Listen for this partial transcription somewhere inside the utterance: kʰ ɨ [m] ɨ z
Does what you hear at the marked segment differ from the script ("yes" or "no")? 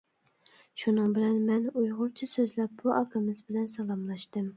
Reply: no